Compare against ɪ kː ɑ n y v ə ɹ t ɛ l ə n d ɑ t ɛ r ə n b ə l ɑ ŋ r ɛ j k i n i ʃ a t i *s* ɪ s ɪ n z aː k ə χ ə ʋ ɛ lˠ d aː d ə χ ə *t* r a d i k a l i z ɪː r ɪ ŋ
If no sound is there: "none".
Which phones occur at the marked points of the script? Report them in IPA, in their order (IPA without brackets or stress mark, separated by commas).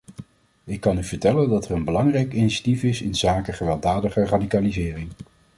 f, none